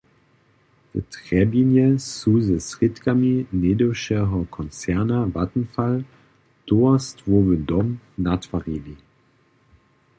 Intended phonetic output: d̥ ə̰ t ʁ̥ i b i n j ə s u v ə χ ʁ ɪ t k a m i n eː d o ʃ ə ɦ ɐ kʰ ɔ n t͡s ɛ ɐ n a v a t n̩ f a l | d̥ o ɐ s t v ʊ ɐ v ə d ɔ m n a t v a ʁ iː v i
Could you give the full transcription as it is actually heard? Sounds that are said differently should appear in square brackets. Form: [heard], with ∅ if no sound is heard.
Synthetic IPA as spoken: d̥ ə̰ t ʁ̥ [ɛ] b i n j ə s u [z] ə [s] ʁ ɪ t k a m i n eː d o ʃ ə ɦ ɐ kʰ ɔ n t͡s ɛ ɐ n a v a t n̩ f a l | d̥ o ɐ s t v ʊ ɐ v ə d ɔ m n a t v a ʁ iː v i